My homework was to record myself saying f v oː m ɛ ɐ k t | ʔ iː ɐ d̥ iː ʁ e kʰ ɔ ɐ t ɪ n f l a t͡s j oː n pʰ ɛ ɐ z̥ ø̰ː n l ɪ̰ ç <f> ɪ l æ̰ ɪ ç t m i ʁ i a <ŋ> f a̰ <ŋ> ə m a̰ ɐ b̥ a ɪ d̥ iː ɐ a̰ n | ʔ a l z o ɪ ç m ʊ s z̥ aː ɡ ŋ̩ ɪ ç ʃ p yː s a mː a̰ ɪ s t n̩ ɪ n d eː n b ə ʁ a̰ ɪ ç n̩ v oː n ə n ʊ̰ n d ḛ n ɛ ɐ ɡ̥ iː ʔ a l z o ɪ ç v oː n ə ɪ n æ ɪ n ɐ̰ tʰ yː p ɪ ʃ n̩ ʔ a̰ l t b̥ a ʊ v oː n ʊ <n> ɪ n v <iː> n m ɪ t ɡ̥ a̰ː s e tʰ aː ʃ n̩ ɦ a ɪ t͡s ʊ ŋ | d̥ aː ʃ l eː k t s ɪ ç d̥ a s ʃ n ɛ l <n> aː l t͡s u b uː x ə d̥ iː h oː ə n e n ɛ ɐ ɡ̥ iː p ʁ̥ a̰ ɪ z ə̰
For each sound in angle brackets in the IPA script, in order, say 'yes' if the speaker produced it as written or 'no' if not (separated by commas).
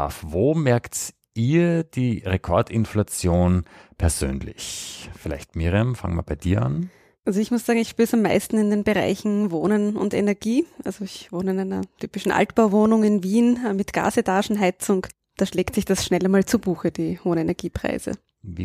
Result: yes, no, yes, no, yes, no